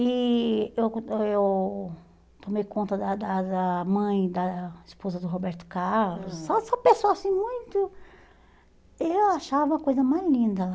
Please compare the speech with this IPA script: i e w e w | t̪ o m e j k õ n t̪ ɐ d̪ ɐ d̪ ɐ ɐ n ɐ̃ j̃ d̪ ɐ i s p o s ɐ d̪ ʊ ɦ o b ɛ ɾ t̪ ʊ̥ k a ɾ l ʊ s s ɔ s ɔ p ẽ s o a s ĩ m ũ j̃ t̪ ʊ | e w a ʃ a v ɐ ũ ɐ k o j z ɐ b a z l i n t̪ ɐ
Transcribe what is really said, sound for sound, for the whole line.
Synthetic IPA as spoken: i e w e w | t̪ o m e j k õ n t̪ ɐ d̪ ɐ d̪ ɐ ɐ m ɐ̃ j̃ d̪ ɐ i s p o z ɐ d̪ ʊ ɦ o b ɛ ɾ t̪ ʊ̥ k a ɾ l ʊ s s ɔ s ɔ p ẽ s o a s ĩ m ũ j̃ t̪ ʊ | e w a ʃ a v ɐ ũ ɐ k o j z ɐ m a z l ĩ n d̪ ɐ